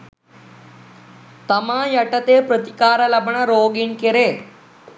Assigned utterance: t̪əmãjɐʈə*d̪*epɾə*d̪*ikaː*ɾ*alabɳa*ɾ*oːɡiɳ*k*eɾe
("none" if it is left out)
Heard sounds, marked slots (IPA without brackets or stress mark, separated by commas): t̪, t̪, ɾ, ɾ, k